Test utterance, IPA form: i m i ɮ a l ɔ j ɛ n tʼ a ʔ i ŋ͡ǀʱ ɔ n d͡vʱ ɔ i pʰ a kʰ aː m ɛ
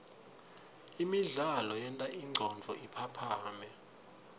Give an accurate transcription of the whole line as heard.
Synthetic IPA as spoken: i m i ɮ a l ɔ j ɛ n tʼ a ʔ i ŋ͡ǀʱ ɔ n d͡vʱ ɔ i pʰ a pʰ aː m ɛ